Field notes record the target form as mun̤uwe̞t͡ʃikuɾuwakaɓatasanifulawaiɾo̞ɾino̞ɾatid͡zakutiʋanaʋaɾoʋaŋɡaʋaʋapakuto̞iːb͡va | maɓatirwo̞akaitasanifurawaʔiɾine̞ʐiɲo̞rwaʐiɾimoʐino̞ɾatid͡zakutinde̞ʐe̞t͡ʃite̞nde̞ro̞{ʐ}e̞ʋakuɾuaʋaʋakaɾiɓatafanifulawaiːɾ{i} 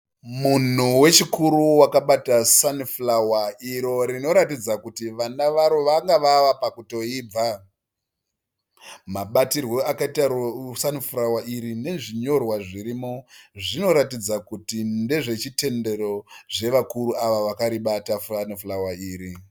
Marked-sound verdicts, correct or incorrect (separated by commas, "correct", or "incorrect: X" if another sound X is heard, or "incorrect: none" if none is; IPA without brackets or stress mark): correct, correct